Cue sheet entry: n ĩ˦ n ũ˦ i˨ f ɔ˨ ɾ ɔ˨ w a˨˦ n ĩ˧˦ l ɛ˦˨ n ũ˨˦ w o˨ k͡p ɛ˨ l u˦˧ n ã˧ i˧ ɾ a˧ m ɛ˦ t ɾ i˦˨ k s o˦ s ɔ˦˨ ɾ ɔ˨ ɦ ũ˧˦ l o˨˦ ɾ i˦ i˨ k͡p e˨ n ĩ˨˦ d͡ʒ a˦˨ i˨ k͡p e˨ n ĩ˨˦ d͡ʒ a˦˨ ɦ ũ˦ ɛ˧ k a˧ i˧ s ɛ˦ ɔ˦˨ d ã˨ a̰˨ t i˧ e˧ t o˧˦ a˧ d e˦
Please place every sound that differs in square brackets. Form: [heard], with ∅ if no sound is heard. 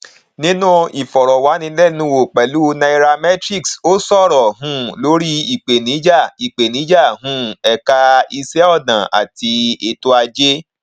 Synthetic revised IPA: n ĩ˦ n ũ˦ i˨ f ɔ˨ ɾ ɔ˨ w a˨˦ n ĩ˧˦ l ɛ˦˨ n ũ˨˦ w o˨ k͡p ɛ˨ l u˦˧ n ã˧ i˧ ɾ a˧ m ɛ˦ t ɾ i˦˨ k s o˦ s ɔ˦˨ ɾ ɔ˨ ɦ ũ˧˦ l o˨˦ ɾ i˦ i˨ k͡p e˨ n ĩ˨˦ d͡ʒ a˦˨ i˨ k͡p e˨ n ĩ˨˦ d͡ʒ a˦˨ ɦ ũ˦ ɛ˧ k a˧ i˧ s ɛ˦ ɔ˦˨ d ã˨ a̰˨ t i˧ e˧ t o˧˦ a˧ [d͡ʒ] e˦